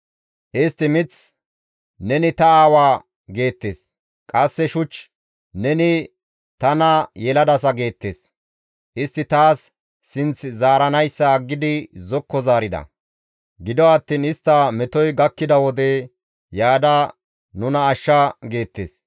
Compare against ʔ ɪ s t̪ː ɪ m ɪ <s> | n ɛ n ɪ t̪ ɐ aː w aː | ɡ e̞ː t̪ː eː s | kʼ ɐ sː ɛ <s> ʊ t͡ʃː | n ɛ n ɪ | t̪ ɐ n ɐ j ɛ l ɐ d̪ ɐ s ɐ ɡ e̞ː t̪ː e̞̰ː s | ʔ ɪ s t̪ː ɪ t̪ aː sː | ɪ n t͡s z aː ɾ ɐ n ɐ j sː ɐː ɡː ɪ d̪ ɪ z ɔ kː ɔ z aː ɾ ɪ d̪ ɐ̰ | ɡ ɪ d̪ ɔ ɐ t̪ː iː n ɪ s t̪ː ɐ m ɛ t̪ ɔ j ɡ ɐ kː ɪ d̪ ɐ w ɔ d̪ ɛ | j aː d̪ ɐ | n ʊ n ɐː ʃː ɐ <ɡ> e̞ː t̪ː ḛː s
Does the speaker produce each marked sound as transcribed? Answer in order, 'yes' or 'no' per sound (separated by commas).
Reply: no, no, yes